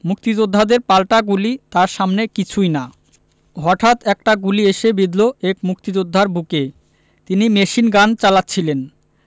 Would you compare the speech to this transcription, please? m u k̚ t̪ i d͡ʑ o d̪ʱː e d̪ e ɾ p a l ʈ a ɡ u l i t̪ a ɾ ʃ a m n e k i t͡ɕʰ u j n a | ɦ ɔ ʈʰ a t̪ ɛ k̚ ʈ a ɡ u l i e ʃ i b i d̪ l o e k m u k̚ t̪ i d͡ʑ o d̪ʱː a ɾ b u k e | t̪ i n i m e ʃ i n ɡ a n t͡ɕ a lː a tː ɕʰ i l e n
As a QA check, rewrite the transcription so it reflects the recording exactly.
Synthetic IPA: m u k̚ t̪ i d͡ʑ o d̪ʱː a d̪ e ɾ p a l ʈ a ɡ u l i t̪ a ɾ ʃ a m n e k i t͡ɕʰ u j n a | ɦ ɔ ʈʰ a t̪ ɛ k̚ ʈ a ɡ u l i e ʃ e b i d̪ l o e k m u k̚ t̪ i d͡ʑ o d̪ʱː a ɾ b u k e | t̪ i n i m e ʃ i n ɡ a n t͡ɕ a l a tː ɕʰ i l e n